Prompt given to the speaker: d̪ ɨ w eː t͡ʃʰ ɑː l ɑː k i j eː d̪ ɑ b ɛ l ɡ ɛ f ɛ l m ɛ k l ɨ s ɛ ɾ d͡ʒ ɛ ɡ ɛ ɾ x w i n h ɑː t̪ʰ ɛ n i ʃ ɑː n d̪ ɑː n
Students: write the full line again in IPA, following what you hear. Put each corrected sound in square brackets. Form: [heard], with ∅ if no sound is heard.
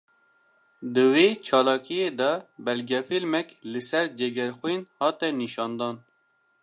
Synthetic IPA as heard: d̪ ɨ w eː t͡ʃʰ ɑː l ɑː k i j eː d̪ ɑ b ɛ l ɡ ɛ f [i] l m ɛ k l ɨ s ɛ ɾ d͡ʒ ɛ ɡ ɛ ɾ x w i n h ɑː [t̪] ɛ n i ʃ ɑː n d̪ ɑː n

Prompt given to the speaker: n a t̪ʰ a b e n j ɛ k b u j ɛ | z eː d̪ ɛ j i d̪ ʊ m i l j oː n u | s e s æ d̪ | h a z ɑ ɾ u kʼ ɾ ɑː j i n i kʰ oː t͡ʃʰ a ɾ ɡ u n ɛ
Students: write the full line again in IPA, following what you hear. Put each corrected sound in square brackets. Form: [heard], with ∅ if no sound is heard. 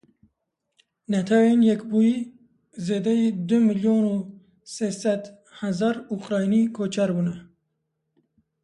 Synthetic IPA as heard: n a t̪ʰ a [w] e n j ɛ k b u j [i] | z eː d̪ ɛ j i d̪ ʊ m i l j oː n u | s e s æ d̪ | h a z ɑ ɾ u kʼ ɾ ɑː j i n i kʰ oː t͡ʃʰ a ɾ [b] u n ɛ

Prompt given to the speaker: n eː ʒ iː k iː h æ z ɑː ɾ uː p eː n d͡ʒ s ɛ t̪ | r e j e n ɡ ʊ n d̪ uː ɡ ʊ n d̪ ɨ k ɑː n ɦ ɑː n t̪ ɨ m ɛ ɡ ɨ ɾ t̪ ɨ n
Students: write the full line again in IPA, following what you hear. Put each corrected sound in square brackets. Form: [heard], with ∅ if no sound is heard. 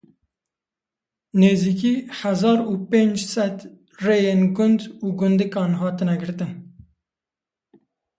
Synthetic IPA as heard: n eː [z] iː k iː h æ z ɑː ɾ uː p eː n d͡ʒ s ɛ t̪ | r e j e n ɡ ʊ n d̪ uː ɡ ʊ n d̪ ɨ k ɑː n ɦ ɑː [∅] t̪ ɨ [n] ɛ ɡ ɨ ɾ t̪ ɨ n

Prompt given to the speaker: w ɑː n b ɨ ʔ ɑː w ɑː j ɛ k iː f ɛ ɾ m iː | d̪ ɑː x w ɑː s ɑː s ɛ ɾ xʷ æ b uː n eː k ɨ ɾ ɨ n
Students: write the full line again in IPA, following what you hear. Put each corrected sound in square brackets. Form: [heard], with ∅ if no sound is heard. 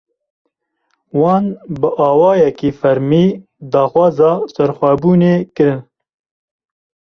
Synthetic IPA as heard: w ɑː n b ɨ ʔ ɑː w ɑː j ɛ k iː f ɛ ɾ m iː | d̪ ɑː x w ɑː [z] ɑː s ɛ ɾ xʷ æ b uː n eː k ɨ ɾ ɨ n

